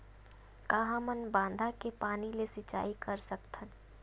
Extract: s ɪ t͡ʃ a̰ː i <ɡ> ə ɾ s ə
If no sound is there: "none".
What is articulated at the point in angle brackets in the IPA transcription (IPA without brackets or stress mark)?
k